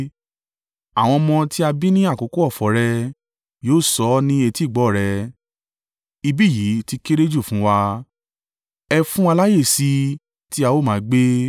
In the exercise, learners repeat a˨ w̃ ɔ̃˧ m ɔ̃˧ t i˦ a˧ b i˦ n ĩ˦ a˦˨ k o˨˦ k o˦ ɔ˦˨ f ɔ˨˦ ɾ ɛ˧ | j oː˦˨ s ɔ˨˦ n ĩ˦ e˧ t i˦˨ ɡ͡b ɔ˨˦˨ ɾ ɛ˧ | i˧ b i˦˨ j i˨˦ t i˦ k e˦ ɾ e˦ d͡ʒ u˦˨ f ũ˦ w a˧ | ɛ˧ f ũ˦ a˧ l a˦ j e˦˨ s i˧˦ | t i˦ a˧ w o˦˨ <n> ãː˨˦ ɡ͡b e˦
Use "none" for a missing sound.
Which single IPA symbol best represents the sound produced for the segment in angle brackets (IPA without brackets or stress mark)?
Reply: m